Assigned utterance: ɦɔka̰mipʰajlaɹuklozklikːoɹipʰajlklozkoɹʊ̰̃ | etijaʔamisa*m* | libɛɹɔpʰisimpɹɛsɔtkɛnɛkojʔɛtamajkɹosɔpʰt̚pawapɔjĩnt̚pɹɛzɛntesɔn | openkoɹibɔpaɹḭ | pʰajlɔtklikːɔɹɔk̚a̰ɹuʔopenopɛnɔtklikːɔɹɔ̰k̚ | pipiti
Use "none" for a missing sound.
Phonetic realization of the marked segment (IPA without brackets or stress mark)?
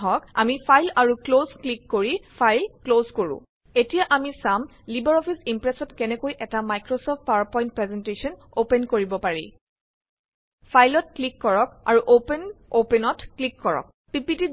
m